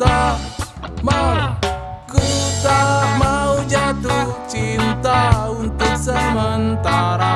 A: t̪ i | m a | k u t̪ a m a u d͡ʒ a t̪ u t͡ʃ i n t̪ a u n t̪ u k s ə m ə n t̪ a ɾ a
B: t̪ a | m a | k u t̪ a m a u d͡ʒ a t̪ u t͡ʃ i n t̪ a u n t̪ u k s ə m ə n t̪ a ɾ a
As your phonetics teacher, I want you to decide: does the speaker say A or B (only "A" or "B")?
B